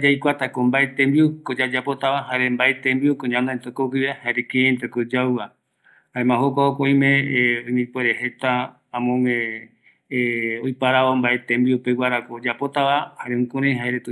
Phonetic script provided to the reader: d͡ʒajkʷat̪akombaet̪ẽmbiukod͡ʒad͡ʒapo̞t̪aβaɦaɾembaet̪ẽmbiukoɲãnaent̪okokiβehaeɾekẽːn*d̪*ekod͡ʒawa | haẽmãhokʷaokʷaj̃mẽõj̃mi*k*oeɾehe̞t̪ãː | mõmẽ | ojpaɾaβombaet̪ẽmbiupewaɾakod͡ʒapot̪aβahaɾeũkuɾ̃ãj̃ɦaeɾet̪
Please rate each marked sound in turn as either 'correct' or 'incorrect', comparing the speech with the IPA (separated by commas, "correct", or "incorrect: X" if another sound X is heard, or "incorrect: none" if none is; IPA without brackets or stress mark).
incorrect: t̪, incorrect: p